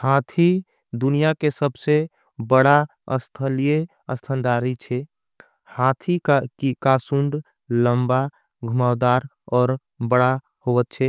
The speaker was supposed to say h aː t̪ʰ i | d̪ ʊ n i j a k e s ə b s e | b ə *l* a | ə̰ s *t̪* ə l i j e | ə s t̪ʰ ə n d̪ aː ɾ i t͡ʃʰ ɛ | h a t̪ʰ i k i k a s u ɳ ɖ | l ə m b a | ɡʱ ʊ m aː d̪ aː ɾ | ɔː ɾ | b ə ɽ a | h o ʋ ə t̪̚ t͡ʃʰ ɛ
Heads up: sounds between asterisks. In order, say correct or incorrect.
incorrect: ɽ, incorrect: t̪ʰ

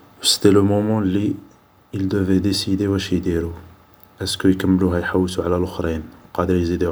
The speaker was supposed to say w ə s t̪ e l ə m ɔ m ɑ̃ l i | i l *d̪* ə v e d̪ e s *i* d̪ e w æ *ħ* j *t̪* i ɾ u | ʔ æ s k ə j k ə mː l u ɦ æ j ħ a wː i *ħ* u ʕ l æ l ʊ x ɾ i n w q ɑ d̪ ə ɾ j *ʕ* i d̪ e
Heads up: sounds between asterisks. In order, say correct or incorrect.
correct, correct, incorrect: ʃ, incorrect: d̪, incorrect: s, incorrect: z

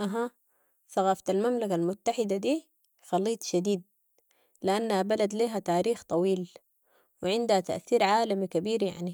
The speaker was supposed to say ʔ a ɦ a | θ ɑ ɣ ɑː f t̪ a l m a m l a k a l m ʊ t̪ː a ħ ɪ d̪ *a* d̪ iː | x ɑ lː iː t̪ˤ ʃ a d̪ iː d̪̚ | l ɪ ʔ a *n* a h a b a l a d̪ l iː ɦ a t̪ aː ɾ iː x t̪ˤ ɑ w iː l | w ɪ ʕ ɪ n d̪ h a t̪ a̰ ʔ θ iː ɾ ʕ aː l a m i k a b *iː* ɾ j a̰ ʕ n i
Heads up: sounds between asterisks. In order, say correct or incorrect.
correct, incorrect: nː, correct

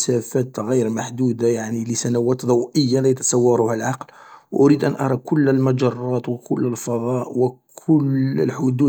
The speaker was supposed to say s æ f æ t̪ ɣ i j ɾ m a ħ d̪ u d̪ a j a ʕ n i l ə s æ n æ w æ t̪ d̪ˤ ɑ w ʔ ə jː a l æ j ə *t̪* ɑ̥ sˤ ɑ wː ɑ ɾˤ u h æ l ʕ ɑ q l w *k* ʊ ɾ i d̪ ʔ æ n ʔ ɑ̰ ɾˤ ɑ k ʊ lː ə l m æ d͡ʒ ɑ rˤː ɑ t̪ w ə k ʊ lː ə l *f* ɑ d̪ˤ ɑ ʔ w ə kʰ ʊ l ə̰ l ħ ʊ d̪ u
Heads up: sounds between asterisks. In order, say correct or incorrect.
correct, incorrect: ʔ, correct

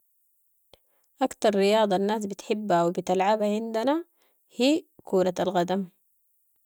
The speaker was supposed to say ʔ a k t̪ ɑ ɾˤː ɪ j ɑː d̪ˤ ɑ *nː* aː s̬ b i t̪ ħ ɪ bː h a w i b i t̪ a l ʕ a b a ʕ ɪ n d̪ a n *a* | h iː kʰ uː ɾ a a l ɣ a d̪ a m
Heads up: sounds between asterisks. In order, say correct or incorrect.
correct, correct

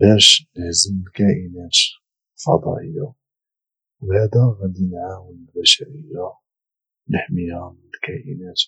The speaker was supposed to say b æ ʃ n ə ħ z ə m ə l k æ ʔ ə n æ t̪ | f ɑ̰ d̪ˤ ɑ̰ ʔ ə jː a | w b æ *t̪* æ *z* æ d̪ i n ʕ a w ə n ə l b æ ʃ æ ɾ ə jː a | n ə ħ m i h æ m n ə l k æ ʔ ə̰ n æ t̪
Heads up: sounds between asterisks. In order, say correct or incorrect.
incorrect: d̪, incorrect: ɣ

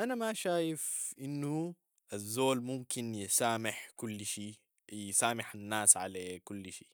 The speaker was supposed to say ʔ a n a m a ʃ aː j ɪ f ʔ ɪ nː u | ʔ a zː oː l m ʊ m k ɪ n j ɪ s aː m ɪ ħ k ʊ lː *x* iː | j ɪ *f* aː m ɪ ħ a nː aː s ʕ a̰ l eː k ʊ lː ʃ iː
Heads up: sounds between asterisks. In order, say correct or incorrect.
incorrect: ʃ, incorrect: s

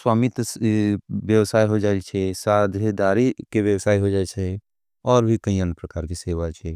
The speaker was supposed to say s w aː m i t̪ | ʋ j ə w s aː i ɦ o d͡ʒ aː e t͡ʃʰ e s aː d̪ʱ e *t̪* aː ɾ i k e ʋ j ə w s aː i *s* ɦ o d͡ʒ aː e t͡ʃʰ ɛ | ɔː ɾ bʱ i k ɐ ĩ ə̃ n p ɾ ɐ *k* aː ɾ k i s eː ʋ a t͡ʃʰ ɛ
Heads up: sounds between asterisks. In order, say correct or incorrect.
incorrect: d̪, incorrect: none, correct

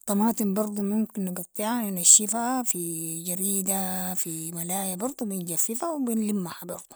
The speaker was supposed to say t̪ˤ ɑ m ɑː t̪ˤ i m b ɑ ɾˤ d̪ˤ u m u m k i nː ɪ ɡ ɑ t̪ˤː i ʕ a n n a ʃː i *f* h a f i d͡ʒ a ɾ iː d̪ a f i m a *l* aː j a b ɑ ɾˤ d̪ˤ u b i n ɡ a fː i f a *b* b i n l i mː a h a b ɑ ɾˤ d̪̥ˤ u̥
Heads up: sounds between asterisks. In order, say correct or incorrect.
correct, correct, incorrect: w

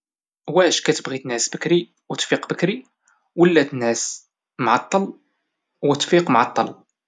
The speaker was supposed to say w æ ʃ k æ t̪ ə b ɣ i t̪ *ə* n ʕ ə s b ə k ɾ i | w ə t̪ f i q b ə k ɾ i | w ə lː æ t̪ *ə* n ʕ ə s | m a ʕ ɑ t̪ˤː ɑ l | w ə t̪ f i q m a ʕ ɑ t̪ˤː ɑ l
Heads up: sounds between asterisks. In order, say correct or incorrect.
correct, correct

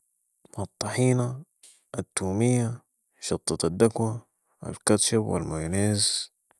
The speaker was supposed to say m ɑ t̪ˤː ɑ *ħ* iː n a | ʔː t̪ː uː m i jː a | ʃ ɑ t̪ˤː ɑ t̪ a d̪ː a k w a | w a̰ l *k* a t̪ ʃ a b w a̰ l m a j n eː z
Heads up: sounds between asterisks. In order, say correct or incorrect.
correct, correct

